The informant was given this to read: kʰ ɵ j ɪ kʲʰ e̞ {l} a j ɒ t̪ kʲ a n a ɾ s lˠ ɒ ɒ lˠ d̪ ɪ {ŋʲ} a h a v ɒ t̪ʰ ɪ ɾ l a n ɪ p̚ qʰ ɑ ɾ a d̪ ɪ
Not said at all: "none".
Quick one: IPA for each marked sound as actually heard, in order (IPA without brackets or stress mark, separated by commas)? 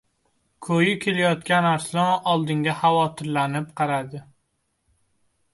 l, ŋʲ